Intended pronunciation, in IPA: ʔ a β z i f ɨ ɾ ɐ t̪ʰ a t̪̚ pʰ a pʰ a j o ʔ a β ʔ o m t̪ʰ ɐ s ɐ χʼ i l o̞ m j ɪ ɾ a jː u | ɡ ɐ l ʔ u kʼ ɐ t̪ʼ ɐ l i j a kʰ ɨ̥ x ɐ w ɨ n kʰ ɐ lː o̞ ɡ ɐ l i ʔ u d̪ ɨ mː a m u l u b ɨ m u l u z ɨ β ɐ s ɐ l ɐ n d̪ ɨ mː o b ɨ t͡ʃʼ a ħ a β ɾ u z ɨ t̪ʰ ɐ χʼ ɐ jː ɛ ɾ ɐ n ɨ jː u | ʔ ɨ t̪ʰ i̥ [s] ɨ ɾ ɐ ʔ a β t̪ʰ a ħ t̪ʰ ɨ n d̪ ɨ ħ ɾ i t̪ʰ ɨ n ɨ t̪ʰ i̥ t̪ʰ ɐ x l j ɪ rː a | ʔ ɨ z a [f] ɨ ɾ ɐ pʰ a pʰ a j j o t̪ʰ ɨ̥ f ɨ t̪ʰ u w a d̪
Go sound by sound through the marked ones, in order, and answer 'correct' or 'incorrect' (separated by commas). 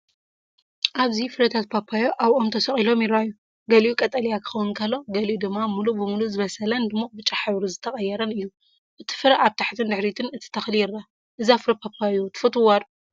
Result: incorrect, correct